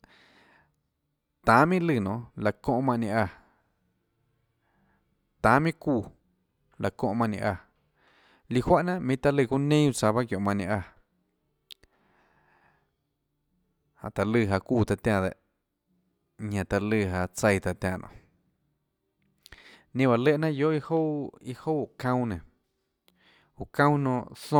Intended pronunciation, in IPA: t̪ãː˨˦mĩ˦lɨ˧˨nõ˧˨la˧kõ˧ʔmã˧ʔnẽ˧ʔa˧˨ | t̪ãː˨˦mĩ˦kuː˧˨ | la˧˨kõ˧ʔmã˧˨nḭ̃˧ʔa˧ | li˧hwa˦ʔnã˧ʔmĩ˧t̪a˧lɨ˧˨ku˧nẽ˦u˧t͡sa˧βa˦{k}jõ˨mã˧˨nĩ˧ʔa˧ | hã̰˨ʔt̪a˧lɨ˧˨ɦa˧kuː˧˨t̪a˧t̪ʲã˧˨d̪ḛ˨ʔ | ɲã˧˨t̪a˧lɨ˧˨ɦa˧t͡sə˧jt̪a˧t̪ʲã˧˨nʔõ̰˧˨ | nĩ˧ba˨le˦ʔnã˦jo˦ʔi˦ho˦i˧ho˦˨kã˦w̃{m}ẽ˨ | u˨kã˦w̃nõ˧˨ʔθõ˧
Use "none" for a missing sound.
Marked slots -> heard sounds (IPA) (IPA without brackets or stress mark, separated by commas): k, n